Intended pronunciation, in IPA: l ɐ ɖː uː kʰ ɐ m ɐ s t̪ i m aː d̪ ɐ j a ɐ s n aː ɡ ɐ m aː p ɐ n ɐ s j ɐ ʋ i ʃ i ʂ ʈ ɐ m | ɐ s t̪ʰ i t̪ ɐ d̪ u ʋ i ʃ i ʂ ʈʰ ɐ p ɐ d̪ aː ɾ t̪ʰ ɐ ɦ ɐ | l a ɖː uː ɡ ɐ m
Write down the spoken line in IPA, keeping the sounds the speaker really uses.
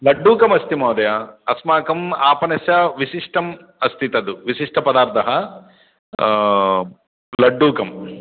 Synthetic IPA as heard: l ɐ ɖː uː k ɐ m ɐ s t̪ i m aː d̪ ɐ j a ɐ s m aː k ɐ m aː p ɐ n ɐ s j ɐ ʋ i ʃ i ʂ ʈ ɐ m | ɐ s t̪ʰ i t̪ ɐ d̪ u ʋ i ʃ i ʂ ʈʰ ɐ p ɐ d̪ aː ɾ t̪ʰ ɐ ɦ ɐ | l ɐ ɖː uː k ɐ m